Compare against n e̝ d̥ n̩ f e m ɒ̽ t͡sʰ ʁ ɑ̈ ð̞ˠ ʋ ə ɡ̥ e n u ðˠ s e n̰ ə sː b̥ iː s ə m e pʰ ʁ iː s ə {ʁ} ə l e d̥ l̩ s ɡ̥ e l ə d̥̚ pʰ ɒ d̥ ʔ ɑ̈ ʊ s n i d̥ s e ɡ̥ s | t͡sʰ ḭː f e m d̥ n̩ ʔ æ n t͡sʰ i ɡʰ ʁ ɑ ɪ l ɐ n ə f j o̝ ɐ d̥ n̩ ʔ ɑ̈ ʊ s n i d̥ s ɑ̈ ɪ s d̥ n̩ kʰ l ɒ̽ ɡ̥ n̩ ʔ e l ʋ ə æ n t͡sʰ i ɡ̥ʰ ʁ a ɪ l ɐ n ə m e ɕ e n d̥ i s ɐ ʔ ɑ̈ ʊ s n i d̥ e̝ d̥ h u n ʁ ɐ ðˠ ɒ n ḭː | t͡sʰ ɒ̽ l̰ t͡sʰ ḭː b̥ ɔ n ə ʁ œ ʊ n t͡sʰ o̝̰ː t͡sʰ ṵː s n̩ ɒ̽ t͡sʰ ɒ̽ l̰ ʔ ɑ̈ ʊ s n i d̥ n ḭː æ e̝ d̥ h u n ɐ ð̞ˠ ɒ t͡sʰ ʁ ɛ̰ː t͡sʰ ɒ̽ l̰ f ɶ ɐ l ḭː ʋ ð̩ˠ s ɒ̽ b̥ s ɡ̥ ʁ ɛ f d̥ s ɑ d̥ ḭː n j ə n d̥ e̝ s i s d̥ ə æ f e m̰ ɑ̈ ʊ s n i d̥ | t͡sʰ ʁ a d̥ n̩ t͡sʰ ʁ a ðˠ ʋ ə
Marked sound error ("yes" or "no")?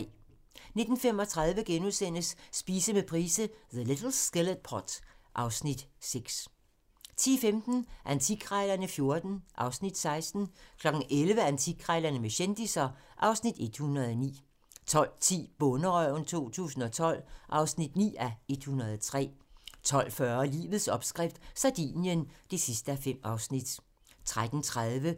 yes